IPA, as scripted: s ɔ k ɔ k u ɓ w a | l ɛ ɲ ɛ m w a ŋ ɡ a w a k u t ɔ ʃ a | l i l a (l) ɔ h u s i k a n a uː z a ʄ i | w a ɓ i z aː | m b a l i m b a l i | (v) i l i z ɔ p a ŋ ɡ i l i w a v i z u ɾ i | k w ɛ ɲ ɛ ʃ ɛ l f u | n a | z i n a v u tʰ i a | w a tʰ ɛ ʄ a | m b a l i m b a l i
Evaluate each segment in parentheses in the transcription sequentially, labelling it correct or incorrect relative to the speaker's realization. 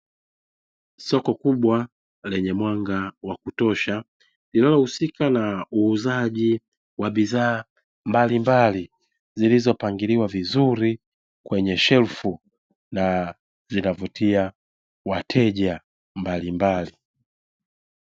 correct, incorrect

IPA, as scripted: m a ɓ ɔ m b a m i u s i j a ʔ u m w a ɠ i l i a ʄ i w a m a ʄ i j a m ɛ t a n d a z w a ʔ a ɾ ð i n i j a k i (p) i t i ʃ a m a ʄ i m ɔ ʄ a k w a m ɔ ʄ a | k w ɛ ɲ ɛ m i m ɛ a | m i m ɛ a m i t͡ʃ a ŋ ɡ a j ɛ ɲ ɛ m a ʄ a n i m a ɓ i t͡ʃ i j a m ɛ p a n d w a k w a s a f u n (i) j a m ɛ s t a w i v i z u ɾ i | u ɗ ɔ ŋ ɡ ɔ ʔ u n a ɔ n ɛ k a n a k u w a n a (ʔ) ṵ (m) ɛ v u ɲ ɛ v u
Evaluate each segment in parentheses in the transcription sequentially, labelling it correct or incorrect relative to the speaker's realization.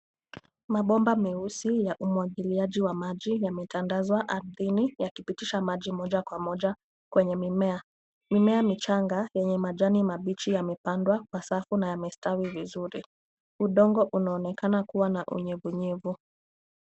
correct, incorrect, correct, incorrect

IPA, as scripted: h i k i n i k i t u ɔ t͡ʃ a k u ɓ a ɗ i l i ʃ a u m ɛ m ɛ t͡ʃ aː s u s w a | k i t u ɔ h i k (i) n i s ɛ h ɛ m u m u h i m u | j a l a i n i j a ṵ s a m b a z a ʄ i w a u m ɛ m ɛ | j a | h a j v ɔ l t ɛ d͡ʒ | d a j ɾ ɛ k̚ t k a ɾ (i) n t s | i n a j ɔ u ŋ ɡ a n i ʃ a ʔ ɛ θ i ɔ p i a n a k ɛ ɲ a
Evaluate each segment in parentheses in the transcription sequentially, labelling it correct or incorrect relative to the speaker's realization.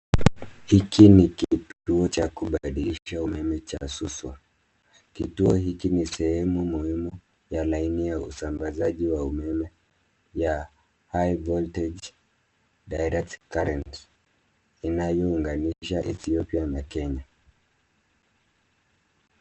correct, incorrect

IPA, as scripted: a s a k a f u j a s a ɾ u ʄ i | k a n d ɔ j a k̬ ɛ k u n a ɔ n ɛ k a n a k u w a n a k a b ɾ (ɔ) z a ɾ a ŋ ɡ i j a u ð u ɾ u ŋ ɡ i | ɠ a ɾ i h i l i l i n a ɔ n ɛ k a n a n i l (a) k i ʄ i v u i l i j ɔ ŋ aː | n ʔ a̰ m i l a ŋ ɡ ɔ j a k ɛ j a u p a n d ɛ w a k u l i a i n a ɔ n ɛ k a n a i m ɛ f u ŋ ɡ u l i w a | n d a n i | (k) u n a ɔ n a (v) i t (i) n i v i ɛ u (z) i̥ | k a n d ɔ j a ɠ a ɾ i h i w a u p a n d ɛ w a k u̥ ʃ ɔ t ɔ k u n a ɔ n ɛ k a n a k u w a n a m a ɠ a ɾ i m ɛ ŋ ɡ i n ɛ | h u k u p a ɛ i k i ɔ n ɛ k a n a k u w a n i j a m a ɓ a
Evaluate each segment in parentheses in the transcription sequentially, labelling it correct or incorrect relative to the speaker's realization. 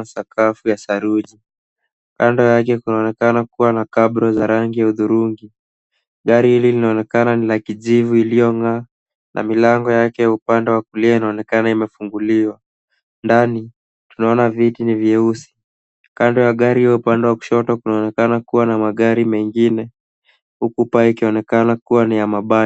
correct, correct, incorrect, correct, correct, incorrect

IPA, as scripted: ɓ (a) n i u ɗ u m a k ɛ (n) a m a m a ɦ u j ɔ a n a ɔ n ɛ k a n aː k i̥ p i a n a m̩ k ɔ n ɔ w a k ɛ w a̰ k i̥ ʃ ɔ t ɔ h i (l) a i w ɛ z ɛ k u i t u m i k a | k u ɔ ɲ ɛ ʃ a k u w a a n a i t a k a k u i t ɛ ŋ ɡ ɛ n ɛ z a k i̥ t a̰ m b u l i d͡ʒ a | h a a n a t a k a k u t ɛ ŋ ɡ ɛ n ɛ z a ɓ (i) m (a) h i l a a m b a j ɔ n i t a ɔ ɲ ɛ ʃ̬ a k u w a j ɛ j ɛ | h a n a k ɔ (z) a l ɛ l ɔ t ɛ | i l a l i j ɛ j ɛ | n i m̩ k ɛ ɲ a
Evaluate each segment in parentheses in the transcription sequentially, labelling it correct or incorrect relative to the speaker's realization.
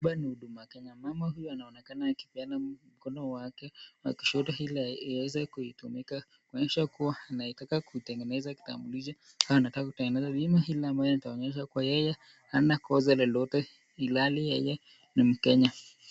correct, incorrect, correct, correct, correct, correct

